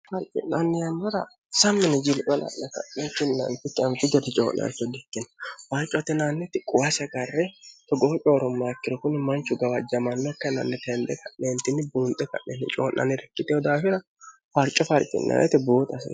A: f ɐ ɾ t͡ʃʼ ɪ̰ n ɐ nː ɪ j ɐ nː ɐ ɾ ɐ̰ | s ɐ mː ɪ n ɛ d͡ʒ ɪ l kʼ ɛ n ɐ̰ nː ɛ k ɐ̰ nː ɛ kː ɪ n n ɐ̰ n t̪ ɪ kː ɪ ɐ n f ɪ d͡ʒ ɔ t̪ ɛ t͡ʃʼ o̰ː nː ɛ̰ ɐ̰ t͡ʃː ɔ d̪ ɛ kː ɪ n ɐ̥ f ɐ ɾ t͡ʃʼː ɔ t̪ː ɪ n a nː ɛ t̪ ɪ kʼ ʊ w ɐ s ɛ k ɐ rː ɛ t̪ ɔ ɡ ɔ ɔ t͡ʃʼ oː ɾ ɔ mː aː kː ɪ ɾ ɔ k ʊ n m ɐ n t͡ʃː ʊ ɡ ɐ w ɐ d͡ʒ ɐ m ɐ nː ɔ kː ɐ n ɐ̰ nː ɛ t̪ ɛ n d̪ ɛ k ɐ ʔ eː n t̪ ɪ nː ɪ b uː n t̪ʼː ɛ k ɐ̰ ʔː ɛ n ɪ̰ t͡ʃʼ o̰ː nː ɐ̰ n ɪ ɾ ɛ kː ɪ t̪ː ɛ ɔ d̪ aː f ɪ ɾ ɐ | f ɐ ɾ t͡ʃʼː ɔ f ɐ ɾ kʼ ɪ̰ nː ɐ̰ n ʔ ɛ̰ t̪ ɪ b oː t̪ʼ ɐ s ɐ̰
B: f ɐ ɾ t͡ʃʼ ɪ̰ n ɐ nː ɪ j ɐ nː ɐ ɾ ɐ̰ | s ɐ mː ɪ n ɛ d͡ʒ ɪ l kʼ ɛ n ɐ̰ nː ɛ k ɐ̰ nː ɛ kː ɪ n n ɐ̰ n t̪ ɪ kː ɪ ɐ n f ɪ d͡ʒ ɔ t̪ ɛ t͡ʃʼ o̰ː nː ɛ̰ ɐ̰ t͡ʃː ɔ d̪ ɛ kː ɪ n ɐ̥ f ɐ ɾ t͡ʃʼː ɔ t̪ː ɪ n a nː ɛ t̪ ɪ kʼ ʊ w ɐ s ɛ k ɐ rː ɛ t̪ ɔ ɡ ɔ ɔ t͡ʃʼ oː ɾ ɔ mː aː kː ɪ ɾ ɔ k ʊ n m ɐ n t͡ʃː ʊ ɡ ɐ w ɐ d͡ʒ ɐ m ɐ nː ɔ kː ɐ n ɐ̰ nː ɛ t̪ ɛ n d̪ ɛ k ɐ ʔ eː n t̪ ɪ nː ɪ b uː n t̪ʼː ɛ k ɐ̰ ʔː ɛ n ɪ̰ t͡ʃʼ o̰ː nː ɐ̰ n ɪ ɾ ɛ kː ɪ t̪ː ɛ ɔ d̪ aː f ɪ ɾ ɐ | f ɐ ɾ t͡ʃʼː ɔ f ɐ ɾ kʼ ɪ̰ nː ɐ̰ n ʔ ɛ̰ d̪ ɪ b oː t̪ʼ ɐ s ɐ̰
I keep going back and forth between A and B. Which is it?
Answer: A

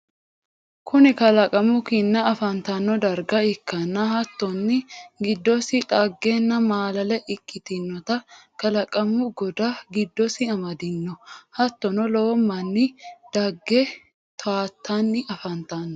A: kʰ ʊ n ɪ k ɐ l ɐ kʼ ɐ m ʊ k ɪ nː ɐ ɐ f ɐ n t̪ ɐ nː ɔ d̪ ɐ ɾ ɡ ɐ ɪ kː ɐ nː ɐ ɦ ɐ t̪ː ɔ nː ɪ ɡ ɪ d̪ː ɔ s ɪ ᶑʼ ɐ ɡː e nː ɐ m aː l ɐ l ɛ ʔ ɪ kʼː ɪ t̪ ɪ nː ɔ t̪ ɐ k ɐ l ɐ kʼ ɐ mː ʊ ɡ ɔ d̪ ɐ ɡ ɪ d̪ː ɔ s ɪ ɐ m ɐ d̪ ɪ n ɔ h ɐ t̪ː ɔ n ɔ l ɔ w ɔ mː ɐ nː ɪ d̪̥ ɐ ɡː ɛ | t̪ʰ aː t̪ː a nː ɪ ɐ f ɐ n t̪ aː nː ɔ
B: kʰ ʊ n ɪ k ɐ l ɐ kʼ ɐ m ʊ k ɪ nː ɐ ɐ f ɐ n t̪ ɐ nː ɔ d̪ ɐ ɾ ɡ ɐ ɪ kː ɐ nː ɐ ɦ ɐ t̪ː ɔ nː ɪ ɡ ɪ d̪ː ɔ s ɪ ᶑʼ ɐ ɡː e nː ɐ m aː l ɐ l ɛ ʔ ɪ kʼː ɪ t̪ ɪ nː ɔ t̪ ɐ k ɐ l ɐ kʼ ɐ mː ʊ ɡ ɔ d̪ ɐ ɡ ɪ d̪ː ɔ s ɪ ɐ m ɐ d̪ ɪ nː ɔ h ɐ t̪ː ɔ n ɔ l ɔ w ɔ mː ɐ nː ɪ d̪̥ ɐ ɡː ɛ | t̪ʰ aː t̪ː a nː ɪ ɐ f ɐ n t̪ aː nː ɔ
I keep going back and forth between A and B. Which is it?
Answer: B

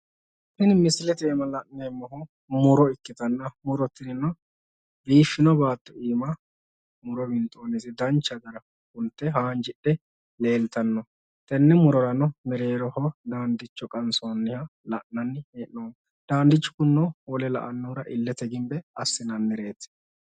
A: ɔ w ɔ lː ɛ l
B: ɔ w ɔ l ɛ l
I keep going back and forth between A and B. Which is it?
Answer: B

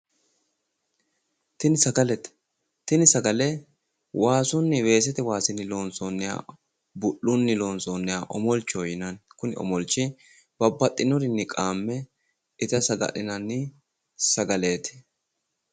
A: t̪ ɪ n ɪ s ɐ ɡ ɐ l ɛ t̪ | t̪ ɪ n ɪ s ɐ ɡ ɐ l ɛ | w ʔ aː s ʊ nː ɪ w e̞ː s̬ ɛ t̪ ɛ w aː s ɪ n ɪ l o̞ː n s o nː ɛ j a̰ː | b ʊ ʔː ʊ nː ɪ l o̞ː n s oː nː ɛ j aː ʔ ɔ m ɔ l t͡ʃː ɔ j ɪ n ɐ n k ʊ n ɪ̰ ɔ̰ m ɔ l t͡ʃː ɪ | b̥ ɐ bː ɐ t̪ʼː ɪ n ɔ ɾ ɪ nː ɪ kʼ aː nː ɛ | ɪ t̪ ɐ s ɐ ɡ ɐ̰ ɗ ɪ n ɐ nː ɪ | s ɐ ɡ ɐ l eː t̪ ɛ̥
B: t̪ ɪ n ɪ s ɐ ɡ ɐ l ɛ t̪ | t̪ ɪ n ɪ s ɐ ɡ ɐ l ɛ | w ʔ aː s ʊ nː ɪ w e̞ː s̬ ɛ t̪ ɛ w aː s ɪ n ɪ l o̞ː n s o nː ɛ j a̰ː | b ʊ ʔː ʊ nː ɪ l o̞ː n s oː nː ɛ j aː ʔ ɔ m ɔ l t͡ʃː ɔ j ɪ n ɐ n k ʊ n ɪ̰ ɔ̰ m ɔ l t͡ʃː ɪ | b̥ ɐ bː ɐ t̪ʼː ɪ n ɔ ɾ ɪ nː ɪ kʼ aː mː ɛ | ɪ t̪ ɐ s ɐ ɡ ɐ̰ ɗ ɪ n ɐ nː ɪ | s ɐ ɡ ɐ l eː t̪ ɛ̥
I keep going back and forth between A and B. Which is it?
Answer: B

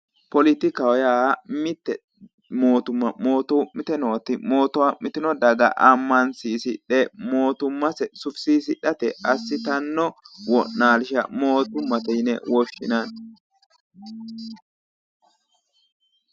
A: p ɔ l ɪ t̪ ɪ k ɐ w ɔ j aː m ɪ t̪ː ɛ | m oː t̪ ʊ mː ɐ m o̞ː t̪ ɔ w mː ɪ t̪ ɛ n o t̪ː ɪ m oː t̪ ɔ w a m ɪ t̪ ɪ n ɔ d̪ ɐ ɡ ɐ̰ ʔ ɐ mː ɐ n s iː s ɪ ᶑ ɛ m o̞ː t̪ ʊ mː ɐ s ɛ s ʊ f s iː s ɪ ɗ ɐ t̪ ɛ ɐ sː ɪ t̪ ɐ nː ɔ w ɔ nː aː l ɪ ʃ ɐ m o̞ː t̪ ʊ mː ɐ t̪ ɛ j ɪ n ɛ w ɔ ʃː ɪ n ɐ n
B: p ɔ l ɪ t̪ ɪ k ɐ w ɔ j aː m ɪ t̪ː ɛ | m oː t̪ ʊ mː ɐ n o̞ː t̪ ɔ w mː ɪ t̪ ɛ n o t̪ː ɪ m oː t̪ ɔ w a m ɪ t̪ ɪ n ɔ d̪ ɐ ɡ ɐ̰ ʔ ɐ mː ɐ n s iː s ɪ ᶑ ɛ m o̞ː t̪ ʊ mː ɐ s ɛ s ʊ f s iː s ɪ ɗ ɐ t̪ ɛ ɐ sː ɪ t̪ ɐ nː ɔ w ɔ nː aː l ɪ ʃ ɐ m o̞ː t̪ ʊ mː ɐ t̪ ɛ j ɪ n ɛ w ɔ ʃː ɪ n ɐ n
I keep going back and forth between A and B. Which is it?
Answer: A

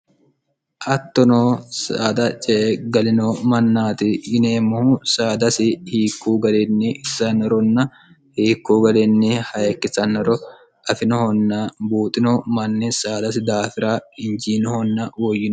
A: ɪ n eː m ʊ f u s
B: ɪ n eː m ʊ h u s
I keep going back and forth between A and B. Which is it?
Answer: B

